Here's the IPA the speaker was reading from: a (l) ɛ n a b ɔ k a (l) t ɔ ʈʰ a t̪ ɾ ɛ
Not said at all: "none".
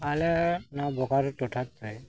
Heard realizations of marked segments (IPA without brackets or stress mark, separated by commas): l, ɾ